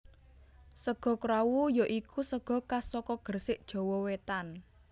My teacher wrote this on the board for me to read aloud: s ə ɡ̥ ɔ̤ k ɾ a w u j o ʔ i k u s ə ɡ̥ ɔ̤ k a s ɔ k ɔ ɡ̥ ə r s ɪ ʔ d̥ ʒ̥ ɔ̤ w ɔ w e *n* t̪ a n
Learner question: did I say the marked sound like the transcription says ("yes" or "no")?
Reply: no